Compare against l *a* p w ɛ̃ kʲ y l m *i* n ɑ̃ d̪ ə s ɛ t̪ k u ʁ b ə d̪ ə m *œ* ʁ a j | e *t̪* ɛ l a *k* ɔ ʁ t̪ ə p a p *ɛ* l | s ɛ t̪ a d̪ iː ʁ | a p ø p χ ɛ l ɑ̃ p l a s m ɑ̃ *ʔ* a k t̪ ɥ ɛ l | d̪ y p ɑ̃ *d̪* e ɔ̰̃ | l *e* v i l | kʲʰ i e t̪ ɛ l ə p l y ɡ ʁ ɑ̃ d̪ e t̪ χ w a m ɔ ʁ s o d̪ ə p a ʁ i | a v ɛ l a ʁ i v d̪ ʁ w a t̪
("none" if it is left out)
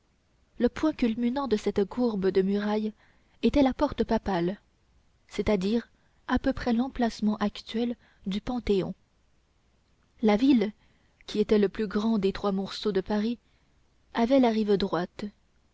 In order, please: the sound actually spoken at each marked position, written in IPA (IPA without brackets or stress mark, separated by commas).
ə, y, y, t̪, p, a, ʔ, t̪, a